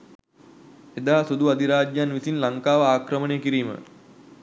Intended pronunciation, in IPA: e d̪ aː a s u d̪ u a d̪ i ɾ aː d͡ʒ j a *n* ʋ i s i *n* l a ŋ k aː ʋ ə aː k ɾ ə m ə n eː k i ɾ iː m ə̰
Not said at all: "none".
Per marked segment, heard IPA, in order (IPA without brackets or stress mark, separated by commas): n, n